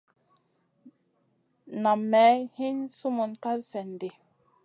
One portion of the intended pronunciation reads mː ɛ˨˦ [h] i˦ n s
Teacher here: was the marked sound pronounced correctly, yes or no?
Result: yes